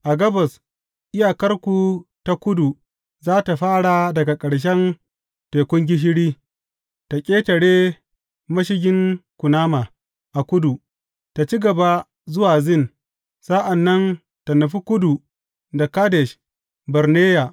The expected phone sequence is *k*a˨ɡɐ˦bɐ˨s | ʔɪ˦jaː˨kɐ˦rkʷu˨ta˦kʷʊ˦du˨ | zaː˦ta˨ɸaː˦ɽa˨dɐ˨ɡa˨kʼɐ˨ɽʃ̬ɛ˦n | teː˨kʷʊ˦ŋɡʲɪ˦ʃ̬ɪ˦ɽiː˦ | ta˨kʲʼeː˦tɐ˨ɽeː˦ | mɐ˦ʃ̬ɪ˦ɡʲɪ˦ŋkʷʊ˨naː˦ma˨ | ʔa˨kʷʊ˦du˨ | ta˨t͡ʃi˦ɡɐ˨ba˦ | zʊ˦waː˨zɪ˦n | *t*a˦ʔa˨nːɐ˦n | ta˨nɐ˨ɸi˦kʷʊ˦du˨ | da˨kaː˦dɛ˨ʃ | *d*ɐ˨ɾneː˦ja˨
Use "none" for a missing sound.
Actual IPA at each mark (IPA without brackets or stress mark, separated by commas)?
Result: ʔ, s, b